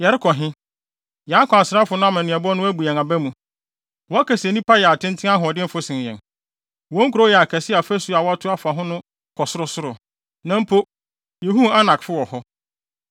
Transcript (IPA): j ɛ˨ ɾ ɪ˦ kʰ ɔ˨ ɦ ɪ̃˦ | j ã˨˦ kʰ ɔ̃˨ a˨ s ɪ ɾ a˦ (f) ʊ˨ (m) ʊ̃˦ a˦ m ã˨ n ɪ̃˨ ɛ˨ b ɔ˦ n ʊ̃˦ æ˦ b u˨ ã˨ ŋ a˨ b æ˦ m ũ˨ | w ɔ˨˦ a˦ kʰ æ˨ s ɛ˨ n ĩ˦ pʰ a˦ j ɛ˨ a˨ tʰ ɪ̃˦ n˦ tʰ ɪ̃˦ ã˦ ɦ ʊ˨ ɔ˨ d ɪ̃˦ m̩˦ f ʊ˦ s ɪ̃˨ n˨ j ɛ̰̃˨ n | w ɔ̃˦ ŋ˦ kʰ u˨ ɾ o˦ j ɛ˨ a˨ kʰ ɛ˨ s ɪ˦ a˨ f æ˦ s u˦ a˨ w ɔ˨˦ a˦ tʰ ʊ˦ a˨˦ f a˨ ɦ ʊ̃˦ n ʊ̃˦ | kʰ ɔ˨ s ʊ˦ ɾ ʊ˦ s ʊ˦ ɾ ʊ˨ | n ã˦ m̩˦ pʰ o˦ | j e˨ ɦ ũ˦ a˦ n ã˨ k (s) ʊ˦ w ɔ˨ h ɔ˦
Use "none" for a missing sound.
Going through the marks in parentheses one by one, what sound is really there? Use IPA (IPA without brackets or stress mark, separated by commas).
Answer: f, n, f